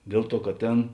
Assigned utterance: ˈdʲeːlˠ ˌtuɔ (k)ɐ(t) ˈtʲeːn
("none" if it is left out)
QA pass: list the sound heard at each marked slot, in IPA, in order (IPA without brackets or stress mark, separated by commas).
k, t